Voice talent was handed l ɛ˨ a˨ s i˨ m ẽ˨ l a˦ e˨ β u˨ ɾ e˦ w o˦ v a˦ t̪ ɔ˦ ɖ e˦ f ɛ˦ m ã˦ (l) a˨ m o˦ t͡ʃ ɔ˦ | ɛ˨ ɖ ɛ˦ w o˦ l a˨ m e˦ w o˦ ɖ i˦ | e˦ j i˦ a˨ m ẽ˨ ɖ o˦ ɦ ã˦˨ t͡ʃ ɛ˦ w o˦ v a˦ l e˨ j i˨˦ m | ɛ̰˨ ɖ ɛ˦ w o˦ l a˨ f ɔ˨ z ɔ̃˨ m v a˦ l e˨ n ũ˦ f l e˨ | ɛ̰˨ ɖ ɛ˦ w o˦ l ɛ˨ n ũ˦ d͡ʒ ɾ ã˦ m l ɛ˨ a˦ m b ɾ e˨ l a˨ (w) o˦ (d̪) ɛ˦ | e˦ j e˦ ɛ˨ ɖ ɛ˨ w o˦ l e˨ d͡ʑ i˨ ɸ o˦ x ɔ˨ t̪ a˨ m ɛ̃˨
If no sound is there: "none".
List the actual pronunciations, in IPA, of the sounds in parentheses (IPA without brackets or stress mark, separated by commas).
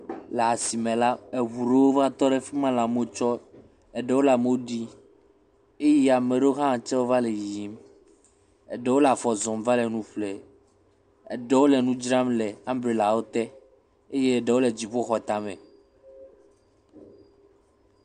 l, w, t̪